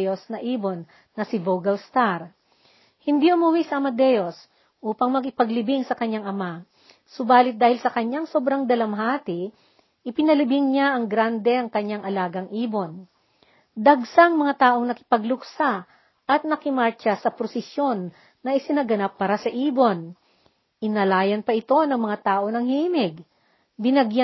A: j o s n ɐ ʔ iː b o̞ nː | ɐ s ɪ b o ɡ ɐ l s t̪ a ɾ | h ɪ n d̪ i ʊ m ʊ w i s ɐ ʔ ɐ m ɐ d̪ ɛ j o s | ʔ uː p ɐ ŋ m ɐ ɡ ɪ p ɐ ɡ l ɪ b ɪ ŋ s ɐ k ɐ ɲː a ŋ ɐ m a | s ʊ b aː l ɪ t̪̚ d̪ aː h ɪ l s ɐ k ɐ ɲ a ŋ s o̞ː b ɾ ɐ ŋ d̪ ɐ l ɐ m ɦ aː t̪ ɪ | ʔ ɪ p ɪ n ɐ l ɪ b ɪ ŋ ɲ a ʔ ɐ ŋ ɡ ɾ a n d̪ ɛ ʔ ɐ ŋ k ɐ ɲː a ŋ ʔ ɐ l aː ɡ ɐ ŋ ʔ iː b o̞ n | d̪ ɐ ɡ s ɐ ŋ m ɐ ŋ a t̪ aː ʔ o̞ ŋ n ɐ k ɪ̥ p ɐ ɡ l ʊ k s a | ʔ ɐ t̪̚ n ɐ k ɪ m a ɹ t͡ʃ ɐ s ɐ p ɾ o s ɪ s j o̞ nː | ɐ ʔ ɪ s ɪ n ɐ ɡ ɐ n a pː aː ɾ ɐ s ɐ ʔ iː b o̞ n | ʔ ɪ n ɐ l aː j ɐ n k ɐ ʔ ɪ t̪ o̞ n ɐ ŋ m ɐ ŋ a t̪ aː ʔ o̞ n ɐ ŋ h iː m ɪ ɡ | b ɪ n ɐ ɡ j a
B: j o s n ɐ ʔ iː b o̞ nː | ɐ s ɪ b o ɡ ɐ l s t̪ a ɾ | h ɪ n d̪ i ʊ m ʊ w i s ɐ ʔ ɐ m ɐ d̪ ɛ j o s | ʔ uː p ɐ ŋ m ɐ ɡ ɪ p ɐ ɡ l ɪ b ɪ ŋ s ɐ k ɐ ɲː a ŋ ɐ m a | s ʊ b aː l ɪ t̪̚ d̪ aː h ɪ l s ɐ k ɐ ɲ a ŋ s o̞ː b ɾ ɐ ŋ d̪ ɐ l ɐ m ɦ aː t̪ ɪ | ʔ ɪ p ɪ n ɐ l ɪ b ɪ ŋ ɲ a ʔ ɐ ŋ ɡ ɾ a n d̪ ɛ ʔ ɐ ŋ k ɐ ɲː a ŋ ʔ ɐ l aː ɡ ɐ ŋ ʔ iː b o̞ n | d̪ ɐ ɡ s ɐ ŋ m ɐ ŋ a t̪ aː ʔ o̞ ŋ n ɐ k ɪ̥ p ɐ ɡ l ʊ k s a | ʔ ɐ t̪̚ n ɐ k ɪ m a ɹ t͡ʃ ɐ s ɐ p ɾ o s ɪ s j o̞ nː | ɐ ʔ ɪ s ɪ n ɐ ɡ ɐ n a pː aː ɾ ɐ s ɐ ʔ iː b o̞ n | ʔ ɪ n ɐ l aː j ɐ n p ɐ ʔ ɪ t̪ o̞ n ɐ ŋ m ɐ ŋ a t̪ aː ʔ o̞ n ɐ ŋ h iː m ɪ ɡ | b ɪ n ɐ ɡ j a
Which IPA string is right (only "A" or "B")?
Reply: B